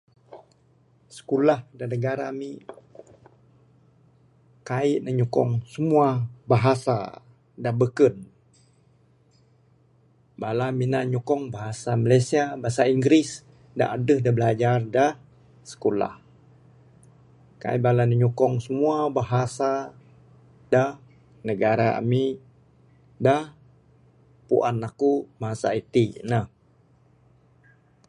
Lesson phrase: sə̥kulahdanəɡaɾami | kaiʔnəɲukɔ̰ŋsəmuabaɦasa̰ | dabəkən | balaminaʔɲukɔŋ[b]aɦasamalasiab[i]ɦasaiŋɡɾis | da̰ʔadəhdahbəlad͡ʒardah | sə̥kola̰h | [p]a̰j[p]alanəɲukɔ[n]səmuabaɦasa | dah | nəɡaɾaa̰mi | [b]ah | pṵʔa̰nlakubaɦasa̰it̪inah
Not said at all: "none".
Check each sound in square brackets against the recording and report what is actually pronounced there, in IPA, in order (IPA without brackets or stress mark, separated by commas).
b, a, k, b, ŋ, d